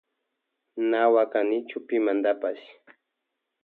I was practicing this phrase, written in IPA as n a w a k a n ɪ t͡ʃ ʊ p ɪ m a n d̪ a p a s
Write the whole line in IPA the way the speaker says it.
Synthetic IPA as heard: n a w a k a n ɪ t͡ʃ ʊ p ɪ m a n d̪ a p a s